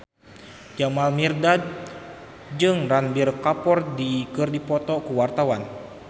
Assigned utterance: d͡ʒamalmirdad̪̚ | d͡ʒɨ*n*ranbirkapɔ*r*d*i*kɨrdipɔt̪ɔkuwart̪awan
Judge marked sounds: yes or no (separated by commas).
no, yes, yes